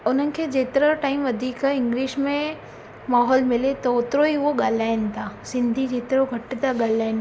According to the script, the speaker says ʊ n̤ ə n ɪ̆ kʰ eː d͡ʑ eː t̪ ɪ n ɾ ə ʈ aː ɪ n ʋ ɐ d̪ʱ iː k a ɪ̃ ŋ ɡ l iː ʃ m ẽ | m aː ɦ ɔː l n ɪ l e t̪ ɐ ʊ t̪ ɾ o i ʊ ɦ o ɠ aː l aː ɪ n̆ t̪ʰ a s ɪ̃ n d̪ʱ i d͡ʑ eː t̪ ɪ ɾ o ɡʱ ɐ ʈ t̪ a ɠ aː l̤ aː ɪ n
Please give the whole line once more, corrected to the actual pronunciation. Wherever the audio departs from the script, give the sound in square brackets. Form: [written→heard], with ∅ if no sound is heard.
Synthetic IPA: ʊ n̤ ə n ɪ̆ kʰ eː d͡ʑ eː t̪ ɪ [n→∅] ɾ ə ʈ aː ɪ [n→m] ʋ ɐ d̪ʱ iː k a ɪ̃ ŋ ɡ l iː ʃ m ẽ | m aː ɦ ɔː l [n→m] ɪ l e t̪ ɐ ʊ t̪ ɾ o i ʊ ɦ o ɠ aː l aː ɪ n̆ t̪ʰ a s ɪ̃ n d̪ʱ i d͡ʑ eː t̪ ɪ ɾ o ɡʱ ɐ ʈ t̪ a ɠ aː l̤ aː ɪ n